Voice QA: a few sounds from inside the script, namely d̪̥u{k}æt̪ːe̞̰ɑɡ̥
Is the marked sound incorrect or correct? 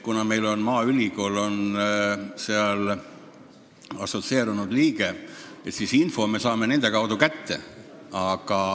correct